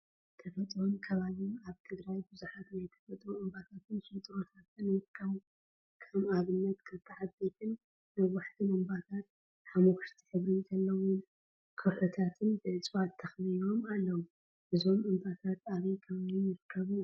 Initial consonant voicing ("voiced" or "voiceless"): voiceless